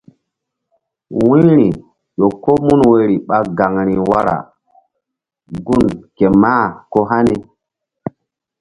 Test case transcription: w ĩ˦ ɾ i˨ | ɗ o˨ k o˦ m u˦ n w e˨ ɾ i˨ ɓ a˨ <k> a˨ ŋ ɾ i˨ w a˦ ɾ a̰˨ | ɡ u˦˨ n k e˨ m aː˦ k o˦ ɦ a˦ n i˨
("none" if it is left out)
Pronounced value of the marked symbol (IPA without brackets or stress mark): ɡ